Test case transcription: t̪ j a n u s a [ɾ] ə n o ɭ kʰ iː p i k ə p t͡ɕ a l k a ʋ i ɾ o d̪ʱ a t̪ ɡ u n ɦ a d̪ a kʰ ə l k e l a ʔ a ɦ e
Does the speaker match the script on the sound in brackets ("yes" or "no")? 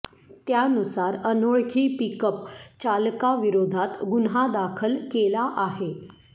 yes